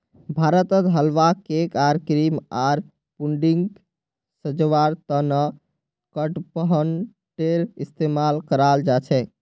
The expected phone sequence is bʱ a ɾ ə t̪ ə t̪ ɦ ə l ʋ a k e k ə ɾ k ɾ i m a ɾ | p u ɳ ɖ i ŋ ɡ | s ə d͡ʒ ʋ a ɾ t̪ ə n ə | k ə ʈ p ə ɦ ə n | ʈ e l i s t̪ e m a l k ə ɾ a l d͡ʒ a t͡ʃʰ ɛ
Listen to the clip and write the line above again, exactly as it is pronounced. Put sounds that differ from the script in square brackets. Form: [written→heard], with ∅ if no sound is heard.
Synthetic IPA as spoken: bʱ a ɾ ə t̪ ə t̪ ɦ ə l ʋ a k e k [ə→a] ɾ k ɾ i m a ɾ | p u ɳ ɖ i ŋ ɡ | s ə d͡ʒ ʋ a ɾ t̪ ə n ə | k ə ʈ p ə ɦ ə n | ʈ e [l→ɾ] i s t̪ e m a l k ə ɾ a l d͡ʒ a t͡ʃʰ ɛ